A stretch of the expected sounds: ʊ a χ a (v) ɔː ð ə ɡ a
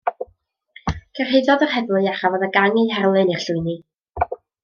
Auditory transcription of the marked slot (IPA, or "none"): v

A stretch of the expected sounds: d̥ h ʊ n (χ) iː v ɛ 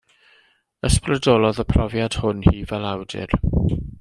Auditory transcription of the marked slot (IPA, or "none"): h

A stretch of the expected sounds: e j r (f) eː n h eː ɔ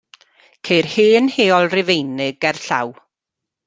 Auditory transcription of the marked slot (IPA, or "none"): h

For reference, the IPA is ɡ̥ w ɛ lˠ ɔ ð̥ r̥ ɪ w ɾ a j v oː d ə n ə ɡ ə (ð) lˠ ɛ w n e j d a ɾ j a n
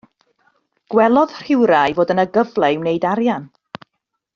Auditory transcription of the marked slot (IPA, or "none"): v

